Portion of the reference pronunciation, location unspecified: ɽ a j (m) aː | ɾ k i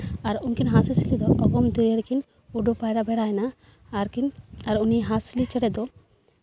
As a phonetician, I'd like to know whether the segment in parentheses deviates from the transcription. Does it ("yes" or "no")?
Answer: yes